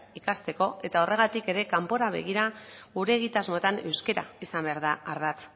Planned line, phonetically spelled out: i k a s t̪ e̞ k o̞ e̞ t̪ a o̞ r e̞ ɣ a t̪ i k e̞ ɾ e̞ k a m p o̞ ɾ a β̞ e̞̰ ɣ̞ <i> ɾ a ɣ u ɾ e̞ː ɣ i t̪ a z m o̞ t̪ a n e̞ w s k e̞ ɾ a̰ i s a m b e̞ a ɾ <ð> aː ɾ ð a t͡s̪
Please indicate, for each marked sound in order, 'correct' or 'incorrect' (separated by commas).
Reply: correct, correct